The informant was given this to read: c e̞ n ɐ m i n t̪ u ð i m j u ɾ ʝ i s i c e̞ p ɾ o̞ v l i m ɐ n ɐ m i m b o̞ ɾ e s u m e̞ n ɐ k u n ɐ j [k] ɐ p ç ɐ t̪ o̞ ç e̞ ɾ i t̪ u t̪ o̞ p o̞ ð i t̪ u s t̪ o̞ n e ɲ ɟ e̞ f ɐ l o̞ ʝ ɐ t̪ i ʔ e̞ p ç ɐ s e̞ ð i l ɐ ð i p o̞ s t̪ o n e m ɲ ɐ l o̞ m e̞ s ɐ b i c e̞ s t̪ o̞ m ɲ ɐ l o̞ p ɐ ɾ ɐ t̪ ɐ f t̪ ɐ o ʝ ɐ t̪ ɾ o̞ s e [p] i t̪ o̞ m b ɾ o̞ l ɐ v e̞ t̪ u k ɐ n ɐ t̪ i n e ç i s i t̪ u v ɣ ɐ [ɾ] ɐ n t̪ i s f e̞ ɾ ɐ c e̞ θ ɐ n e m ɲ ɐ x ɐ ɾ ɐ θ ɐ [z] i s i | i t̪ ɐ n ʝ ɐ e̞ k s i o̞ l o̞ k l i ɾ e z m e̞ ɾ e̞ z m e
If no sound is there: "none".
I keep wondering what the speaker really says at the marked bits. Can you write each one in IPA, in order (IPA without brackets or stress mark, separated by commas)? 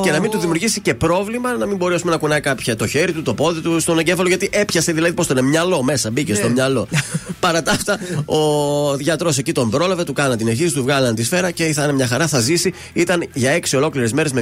k, c, l, z